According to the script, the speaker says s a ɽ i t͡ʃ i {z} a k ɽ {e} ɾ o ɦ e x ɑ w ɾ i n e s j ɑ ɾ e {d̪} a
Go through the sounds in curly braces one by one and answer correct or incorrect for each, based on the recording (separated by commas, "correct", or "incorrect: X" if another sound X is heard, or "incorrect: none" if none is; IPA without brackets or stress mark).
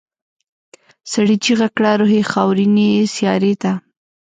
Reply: incorrect: ɣ, incorrect: a, incorrect: t̪